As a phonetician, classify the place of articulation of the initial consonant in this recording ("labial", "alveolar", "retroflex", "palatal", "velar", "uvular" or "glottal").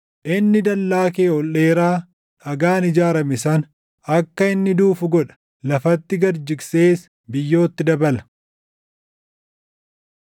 glottal